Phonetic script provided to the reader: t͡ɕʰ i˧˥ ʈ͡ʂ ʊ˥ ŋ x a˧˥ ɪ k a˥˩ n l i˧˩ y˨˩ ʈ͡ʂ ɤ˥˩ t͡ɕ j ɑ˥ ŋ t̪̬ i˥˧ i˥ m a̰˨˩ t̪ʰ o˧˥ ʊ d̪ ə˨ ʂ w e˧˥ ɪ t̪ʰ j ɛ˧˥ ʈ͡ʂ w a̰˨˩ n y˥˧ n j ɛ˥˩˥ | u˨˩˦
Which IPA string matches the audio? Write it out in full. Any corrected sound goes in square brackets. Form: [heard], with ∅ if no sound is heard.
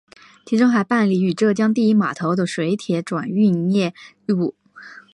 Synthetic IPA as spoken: t͡ɕʰ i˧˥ ʈ͡ʂ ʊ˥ ŋ x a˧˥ ɪ [p] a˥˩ n l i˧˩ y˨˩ ʈ͡ʂ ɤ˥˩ t͡ɕ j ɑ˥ ŋ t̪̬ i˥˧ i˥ m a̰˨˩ t̪ʰ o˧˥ ʊ d̪ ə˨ ʂ w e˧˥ ɪ t̪ʰ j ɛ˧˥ ʈ͡ʂ w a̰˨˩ n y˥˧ n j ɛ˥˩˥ | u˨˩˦